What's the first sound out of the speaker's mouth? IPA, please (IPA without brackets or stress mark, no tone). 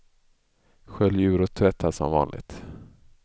ɧ